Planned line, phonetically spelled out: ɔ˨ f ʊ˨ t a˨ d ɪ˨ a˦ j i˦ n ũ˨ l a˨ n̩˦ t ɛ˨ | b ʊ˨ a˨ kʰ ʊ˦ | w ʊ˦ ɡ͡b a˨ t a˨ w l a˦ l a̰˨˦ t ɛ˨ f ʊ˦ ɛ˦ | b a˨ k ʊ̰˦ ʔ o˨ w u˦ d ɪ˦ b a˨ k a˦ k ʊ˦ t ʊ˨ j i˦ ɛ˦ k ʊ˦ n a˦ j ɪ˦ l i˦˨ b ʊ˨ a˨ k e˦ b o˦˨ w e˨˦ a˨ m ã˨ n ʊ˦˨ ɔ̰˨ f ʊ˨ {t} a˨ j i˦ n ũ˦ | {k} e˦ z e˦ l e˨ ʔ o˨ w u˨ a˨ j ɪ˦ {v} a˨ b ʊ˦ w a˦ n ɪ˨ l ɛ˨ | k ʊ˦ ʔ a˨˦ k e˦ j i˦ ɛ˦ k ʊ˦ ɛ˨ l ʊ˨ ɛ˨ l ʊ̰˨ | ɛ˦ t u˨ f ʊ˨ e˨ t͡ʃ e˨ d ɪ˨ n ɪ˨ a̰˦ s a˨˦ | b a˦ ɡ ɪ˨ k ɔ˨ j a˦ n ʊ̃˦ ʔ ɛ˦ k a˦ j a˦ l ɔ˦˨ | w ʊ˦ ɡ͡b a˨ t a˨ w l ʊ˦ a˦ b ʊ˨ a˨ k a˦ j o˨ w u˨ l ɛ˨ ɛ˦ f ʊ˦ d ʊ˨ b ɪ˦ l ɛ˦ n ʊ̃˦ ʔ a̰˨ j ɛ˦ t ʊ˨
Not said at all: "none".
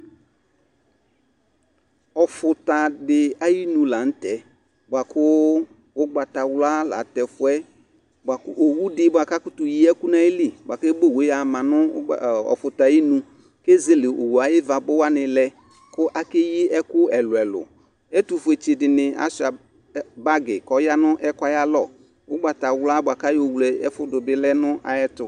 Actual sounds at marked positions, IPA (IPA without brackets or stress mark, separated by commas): t, k, v